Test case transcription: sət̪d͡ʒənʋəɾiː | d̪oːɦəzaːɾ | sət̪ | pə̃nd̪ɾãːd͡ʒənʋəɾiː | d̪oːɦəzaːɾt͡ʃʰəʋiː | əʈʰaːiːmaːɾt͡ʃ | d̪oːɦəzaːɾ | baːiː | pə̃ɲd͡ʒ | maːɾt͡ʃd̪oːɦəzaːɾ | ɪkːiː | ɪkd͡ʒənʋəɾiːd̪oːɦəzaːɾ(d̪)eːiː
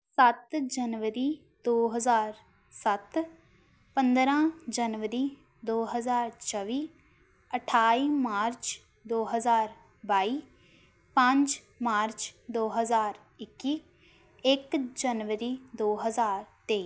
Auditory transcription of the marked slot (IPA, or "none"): t̪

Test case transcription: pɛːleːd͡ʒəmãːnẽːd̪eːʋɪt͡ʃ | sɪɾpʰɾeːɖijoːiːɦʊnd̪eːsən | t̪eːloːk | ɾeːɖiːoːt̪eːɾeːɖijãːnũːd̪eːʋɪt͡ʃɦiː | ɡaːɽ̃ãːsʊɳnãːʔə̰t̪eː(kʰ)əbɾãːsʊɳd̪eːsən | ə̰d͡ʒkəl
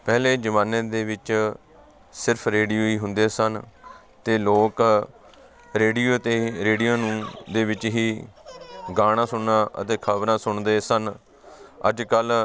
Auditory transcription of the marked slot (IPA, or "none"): kʰ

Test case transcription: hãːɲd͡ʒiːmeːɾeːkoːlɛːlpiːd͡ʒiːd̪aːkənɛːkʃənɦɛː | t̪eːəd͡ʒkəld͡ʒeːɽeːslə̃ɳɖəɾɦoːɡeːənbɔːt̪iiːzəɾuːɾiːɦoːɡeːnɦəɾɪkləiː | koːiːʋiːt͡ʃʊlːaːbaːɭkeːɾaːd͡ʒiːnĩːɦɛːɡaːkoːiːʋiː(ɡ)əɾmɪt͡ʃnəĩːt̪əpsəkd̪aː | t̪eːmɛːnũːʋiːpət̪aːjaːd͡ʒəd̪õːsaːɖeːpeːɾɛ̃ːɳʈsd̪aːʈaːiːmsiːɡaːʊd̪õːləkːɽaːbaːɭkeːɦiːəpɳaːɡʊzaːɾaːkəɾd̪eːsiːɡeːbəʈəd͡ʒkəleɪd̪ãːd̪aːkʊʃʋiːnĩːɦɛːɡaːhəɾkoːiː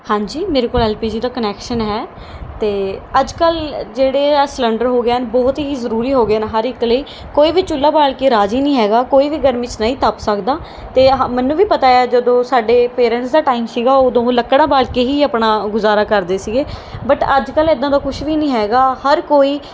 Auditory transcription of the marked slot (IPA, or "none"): ɡ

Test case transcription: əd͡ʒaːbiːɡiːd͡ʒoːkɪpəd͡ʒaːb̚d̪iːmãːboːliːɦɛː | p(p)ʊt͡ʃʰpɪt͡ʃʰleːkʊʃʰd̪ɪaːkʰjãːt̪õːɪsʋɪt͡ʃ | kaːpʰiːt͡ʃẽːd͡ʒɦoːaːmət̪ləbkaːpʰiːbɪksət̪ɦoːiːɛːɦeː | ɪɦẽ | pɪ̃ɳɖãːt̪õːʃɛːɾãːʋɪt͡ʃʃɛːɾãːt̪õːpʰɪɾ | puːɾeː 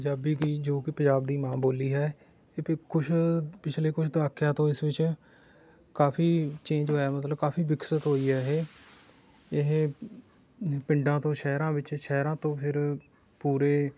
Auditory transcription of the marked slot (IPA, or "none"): k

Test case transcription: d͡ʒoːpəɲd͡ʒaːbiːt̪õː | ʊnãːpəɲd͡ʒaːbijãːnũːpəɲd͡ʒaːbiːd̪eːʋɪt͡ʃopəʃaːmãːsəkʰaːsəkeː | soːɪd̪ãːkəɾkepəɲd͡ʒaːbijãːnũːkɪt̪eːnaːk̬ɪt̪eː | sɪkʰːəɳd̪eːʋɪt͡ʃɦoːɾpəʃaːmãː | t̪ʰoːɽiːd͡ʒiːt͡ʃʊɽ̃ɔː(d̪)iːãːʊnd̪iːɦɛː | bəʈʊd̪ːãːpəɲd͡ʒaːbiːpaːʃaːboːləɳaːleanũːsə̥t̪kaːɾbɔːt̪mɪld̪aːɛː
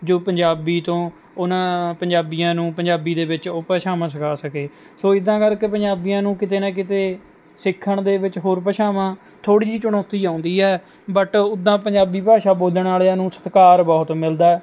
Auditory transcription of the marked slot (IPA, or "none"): t̪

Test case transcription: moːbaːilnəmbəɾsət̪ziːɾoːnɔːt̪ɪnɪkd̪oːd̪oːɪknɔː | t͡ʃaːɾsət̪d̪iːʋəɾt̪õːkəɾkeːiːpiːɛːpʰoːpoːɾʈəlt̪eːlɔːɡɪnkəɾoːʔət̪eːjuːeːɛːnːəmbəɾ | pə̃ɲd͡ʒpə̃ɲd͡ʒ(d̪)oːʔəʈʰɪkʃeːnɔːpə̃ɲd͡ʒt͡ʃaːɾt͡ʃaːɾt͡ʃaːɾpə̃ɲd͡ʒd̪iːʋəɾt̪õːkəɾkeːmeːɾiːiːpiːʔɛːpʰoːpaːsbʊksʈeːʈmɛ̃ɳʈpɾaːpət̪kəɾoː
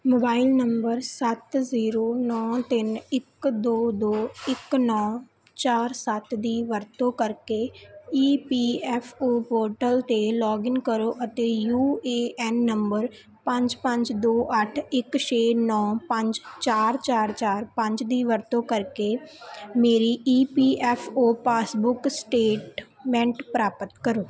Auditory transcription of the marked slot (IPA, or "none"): d̪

